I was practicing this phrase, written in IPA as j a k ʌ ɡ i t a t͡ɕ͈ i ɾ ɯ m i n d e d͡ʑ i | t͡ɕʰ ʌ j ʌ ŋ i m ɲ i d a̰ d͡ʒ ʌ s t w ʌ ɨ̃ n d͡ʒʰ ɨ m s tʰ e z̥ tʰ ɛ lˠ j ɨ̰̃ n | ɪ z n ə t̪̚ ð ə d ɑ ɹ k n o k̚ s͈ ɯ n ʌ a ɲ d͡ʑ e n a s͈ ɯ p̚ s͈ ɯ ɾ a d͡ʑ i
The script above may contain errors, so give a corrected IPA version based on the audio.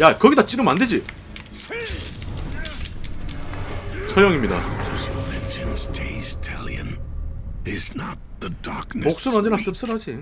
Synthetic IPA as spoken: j a k ʌ ɡ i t a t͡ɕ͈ i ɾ ɯ m a n d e d͡ʑ i | t͡ɕʰ ʌ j ʌ ŋ i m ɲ i d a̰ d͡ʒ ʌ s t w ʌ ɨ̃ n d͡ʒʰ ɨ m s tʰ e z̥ tʰ ɛ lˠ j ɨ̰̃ n | ɪ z n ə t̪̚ ð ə d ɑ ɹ k n o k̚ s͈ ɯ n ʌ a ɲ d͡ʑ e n a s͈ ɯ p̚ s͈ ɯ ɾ a d͡ʑ i

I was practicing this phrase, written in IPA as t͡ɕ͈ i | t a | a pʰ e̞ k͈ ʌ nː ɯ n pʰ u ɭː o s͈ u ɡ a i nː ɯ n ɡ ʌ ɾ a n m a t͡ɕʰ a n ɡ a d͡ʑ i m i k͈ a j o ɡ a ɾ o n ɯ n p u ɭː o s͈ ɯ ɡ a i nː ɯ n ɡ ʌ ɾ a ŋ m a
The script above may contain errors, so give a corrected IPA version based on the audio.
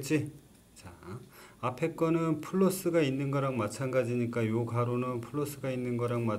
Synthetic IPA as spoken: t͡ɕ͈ i | t͡ɕ a | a pʰ e̞ k͈ ʌ n ɯ n pʰ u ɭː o s͈ ɯ ɡ a i nː ɯ n ɡ ʌ ɾ a ŋ m a t͡ɕʰ a n ɡ a d͡ʑ i ɲ i k͈ a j o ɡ a ɾ o n ɯ n pʰ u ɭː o s͈ ɯ ɡ a i nː ɯ n ɡ ʌ ɾ a ŋ m a

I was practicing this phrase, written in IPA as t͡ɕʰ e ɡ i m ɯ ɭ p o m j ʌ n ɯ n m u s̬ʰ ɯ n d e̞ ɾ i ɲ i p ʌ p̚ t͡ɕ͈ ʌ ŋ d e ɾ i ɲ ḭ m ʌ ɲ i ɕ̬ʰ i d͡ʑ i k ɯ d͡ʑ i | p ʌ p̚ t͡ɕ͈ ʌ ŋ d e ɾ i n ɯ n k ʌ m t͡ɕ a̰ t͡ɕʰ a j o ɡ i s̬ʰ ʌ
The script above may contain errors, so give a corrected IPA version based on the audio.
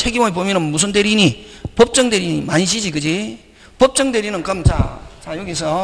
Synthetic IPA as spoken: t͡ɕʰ e ɡ i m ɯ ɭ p o m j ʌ n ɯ n m u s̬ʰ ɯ n d e̞ ɾ i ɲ i p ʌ p̚ t͡ɕ͈ ʌ ŋ d e ɾ i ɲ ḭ m a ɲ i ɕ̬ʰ i d͡ʑ i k ɯ d͡ʑ i | p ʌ p̚ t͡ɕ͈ ʌ ŋ d e ɾ i n ɯ n k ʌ m t͡ɕ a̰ t͡ɕ a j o ɡ i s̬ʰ ʌ

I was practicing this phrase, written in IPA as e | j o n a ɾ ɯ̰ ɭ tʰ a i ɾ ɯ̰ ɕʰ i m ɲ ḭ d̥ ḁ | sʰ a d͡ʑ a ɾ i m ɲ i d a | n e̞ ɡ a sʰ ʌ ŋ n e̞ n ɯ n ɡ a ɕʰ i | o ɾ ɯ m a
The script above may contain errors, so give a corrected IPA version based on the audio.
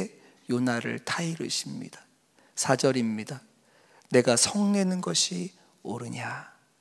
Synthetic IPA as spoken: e | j o n a ɾ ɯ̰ ɭ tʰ a i ɾ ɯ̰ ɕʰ i m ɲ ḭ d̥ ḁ | sʰ a d͡ʑ ʌ ɾ i m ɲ i d a | n e̞ ɡ a sʰ ʌ ŋ n e̞ n ɯ n ɡ ʌ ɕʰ i | o ɾ ɯ ɲ a

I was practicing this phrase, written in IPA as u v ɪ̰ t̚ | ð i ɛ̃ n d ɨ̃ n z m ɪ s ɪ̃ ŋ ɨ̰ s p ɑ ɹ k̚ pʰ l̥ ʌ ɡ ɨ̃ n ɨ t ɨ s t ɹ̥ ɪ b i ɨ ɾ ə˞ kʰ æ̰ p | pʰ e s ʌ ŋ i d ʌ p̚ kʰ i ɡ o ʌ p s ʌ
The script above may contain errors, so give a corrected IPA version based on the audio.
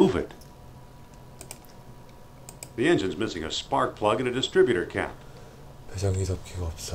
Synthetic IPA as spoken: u v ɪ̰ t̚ | ð i ɛ̃ n d͡ʒ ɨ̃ n z m ɪ s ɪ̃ ŋ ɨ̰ s p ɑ ɹ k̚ pʰ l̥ ʌ ɡ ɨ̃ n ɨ d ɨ s t ɹ̥ ɪ b j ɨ ɾ ə˞ kʰ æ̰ p | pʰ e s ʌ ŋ i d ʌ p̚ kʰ i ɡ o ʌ p s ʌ

